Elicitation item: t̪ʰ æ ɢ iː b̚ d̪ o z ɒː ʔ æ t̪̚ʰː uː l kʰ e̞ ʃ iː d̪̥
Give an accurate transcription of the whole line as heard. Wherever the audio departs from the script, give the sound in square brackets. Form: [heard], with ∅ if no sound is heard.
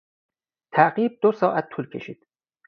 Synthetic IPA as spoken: t̪ʰ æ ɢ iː b̚ d̪ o [s] ɒː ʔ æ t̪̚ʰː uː l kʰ e̞ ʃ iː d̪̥

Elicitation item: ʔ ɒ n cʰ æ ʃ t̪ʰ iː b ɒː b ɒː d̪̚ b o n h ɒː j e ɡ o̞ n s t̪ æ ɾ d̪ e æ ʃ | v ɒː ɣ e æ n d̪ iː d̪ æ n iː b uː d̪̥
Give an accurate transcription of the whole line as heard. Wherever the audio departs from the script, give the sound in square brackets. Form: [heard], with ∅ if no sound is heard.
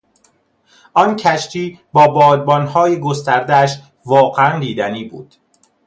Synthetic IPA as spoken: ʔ ɒ n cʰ æ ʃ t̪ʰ iː b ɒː b ɒː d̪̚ b [ɒ] n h ɒː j e ɡ o̞ [∅] s t̪ æ ɾ d̪ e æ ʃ | v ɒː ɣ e æ n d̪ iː d̪ æ n iː b uː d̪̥

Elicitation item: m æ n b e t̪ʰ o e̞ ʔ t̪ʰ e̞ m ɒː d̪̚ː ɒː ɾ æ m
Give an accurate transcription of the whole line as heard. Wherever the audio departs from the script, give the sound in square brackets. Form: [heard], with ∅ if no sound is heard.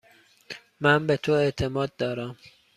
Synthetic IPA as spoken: m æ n b e t̪ʰ o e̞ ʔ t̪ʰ e̞ m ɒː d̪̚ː ɒː ɾ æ m

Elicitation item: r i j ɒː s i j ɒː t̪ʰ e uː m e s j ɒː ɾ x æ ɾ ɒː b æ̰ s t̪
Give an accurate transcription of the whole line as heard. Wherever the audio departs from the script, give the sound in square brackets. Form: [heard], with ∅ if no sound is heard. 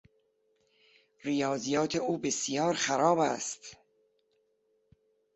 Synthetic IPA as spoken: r i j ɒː [z] i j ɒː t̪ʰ e uː [b] e s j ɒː ɾ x æ ɾ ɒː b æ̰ s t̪

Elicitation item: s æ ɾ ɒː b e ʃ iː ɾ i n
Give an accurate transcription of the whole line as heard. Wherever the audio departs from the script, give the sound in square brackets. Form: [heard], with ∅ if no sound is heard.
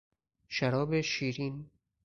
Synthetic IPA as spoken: [ʃ] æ ɾ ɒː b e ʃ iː ɾ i n

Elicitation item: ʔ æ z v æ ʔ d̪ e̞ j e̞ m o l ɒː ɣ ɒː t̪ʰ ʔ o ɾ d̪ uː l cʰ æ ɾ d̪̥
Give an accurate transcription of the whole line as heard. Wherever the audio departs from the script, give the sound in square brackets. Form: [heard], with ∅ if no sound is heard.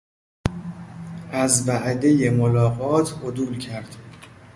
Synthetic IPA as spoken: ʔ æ z v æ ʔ d̪ e̞ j e̞ m o l ɒː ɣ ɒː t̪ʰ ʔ o [∅] d̪ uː l cʰ æ ɾ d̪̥

